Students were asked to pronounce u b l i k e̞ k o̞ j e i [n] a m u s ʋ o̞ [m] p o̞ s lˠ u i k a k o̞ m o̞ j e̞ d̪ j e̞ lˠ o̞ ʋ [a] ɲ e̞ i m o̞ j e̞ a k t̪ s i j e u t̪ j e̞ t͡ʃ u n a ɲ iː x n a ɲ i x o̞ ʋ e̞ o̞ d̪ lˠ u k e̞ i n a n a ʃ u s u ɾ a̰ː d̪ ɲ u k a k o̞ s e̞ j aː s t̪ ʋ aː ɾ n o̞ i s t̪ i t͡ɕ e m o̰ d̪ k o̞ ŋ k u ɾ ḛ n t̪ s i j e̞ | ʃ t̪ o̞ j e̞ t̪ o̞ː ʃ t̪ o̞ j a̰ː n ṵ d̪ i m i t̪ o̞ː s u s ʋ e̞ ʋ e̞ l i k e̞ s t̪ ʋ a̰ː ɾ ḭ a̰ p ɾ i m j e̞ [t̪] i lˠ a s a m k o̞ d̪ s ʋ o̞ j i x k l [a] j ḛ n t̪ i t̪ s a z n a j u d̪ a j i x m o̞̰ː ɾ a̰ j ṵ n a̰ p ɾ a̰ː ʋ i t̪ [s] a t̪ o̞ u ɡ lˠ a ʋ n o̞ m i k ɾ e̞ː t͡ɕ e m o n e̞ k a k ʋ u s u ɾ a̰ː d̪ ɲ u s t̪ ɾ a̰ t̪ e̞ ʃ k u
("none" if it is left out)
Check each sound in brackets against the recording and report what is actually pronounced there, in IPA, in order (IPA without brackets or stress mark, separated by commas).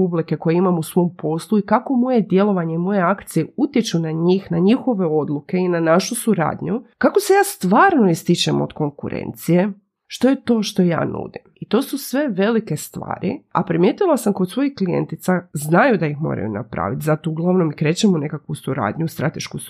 m, m, a, t̪, i, z